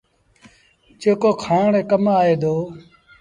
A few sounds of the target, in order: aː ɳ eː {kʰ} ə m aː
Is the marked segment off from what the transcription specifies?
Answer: yes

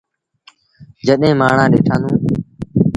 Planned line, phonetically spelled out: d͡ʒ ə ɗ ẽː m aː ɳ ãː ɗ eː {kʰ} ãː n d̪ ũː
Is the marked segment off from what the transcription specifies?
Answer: yes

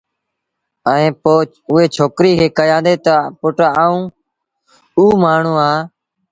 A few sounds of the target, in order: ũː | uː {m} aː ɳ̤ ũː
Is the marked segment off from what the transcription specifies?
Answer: no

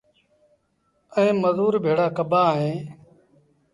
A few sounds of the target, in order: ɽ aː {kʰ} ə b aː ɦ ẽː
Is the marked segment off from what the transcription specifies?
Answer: yes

